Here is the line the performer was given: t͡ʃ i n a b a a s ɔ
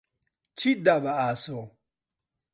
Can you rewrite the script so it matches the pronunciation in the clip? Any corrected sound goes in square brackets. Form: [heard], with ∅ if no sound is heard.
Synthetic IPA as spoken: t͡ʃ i [d] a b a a s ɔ